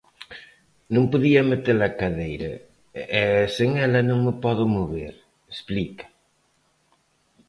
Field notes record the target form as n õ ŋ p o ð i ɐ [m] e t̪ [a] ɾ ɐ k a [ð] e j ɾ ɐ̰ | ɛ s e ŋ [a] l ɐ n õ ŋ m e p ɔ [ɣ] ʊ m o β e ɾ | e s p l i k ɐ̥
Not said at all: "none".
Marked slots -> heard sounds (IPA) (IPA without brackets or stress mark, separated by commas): m, e, ð, ɛ, ð